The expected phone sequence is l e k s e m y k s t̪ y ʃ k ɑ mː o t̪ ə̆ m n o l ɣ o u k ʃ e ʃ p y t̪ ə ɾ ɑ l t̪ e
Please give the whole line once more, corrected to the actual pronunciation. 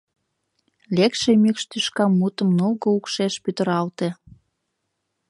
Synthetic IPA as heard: l e k ʃ e m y k ʃ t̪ y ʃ k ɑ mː u t̪ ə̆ m n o l ɣ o u k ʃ e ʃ p y t̪ ə ɾ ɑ l t̪ e